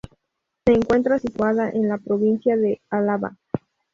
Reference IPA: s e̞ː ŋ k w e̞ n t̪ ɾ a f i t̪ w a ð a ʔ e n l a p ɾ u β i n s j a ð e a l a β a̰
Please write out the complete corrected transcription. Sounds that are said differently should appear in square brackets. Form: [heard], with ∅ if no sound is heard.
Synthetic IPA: s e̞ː ŋ k w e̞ n t̪ ɾ a [s] i t̪ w a ð a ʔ e n l a p ɾ [o] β i n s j a ð e a l a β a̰